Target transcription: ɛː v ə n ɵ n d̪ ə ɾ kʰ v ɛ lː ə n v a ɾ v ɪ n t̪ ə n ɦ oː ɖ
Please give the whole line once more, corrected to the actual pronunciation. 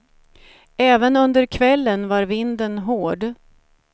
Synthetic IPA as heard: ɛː v ə n ɵ n d̪ ə ɾ kʰ v ɛ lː ə n v a ɾ v ɪ n d̪ ə n ɦ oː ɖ